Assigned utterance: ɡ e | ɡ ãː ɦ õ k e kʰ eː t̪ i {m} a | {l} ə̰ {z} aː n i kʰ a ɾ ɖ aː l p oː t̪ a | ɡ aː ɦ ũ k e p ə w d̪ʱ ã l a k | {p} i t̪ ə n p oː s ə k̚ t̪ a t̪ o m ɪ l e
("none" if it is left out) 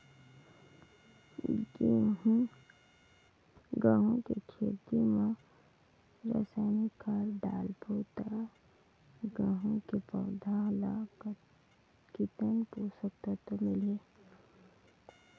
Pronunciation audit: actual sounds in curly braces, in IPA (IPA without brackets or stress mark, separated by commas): m, ɾ, s, k